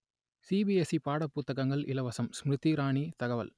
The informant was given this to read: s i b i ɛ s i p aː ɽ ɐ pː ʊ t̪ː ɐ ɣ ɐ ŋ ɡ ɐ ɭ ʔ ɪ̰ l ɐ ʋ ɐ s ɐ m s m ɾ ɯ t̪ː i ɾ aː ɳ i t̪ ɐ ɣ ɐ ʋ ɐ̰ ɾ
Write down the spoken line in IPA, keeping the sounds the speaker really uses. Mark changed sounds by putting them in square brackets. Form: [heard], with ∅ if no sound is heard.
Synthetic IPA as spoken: s i b i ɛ s i p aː ɽ ɐ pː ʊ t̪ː ɐ ɣ ɐ ŋ ɡ ɐ ɭ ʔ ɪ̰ l ɐ ʋ ɐ s ɐ m s m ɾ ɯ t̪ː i ɾ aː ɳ i t̪ ɐ ɣ ɐ ʋ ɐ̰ [l]